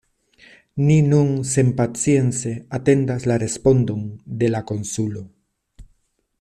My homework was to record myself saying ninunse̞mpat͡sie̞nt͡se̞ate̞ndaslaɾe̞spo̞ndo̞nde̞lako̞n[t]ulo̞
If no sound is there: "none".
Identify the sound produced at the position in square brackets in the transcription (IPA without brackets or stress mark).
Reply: s